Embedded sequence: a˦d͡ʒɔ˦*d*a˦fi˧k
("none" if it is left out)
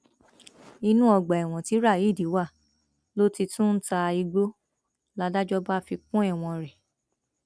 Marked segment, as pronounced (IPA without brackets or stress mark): b